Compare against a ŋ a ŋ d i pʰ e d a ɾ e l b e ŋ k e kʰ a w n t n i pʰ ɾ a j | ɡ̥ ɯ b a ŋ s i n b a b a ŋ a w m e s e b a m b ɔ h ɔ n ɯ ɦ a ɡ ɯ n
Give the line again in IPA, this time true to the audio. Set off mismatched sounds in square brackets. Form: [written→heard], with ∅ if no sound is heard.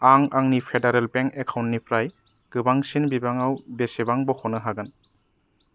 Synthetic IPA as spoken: a ŋ a ŋ [d→n] i pʰ e d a ɾ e l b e ŋ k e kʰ a w n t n i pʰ ɾ a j | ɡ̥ ɯ b a ŋ s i n b [a→i] b a ŋ a w [m→b] e s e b a [m→ŋ] b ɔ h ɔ n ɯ ɦ a ɡ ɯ n